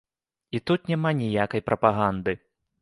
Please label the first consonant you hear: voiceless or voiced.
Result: voiceless